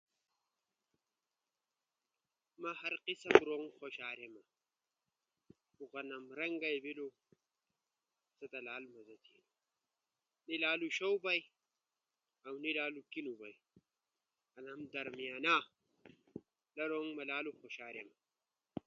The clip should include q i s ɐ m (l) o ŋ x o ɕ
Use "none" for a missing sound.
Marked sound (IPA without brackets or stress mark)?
ɾ